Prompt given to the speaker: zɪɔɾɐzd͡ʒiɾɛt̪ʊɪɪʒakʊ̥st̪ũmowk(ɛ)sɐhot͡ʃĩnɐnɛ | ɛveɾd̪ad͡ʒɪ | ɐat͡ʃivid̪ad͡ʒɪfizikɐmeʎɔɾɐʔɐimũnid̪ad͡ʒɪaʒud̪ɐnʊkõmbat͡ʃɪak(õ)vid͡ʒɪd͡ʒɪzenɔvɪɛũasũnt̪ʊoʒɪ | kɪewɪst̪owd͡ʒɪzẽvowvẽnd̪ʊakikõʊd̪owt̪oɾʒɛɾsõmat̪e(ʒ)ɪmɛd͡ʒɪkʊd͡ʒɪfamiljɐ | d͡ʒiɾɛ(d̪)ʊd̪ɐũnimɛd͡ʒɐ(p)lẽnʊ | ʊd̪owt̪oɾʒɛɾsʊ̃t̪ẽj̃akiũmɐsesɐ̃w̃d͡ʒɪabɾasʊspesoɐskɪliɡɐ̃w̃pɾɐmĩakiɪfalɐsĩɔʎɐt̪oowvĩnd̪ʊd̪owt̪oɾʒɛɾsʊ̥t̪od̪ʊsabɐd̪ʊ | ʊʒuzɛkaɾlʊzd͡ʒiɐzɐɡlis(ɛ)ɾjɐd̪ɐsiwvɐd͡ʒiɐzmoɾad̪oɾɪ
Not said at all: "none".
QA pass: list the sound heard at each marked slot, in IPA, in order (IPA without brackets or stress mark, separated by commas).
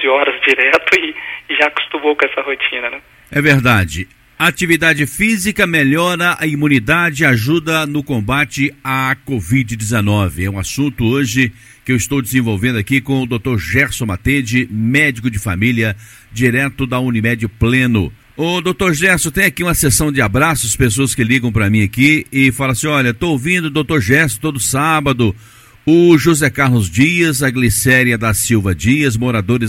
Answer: ɛ, o, d͡ʒ, t̪, p, ɛ